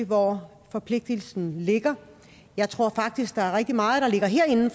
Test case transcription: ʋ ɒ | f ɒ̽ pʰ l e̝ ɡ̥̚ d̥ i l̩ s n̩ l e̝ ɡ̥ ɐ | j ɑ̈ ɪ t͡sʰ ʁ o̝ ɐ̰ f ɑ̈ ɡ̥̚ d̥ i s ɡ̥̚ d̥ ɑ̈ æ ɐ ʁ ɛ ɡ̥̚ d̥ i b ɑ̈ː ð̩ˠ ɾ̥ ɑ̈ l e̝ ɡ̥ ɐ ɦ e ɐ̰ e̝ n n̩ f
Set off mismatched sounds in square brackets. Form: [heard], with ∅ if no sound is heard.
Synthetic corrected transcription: ʋ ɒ | f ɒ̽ pʰ l e̝ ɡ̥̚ d̥ i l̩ s n̩ l e̝ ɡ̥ ɐ | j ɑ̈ ɪ t͡sʰ ʁ o̝ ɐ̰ f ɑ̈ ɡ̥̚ d̥ i s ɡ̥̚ d̥ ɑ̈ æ ɐ ʁ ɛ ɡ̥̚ d̥ i [m] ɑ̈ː ð̩ˠ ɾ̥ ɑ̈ l e̝ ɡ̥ ɐ ɦ e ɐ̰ e̝ n n̩ f